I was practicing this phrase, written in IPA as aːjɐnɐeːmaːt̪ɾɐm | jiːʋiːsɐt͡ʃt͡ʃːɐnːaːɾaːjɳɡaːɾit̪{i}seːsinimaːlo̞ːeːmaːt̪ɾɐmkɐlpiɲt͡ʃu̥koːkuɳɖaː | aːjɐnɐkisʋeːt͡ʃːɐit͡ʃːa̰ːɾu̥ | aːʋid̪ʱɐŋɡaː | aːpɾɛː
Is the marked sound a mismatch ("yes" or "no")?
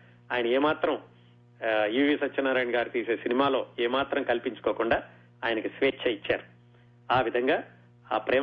yes